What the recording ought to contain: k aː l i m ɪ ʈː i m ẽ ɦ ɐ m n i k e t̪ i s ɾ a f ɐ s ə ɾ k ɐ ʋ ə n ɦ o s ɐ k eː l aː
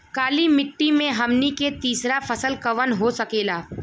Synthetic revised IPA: k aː l i m ɪ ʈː i m ẽ ɦ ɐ m n i k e t̪ iː s ɾ a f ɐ s ə l k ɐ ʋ ə n ɦ o s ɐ k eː l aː